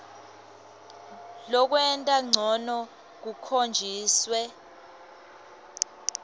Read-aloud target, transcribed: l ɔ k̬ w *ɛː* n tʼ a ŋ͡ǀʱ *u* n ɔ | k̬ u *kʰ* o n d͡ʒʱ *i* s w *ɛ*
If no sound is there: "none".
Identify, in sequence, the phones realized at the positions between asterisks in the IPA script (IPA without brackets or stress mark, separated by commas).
ɛ, ɔ, kʰ, iː, ɛ